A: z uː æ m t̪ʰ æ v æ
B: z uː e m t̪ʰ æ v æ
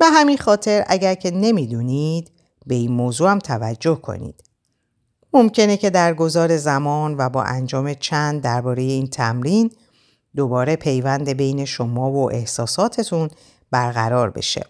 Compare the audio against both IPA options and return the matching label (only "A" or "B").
A